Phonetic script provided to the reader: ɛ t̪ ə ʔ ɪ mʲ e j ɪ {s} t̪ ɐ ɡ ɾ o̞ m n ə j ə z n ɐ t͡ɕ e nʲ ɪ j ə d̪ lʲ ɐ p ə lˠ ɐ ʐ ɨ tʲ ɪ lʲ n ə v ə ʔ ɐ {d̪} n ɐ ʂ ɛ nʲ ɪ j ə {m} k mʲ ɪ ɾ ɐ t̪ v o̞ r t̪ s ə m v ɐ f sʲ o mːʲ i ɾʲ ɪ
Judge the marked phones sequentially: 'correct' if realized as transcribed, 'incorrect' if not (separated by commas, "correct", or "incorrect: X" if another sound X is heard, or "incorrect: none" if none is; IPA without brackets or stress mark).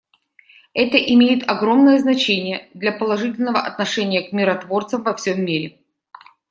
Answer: incorrect: none, incorrect: t̪, incorrect: none